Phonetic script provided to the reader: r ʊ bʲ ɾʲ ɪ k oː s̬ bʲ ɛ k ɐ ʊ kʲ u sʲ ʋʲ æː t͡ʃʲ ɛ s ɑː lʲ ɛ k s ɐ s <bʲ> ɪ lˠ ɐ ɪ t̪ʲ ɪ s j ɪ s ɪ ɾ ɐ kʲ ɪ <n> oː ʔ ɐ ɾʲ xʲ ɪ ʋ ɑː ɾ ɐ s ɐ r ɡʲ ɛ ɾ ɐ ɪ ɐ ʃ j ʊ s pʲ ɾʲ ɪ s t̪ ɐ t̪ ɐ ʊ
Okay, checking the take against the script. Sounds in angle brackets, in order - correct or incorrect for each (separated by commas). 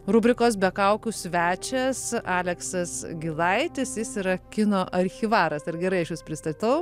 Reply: incorrect, correct